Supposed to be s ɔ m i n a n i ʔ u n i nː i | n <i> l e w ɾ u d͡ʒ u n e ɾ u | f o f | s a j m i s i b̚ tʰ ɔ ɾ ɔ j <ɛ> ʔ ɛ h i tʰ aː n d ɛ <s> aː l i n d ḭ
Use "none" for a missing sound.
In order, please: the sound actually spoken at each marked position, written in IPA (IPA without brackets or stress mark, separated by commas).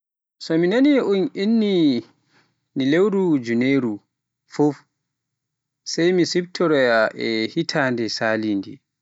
i, a, s